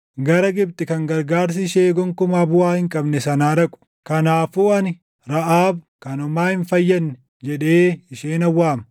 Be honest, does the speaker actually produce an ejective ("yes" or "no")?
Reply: yes